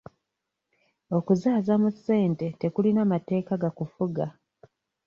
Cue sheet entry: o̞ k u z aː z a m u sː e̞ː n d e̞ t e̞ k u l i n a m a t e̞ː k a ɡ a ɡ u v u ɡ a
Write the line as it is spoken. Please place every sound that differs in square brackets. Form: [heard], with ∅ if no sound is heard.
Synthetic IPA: o̞ k u z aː z a m u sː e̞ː n [t] e̞ t e̞ k u l i n a m a t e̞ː k a ɡ a [k] u [f] u ɡ a